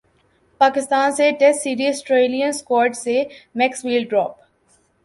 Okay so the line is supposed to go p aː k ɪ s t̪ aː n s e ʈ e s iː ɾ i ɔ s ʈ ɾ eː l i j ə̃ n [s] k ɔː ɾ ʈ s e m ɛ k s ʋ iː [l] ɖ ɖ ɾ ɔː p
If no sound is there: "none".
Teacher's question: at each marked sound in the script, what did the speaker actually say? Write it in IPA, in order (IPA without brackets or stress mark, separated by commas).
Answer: s, l